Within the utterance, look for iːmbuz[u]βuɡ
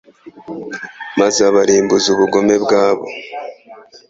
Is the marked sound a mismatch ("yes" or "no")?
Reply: no